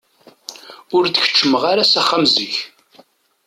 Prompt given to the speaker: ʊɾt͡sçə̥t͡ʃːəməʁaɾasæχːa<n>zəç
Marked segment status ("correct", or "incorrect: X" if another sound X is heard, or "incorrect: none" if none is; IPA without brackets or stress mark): incorrect: m